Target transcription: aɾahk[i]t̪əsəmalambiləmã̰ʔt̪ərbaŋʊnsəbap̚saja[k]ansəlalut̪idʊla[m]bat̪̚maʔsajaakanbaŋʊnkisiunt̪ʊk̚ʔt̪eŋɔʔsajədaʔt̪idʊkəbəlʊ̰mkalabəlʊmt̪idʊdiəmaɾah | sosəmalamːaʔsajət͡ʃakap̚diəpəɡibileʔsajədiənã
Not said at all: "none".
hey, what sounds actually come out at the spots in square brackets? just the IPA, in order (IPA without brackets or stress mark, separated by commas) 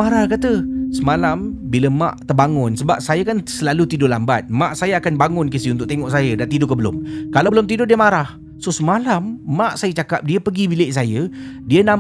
a, k, m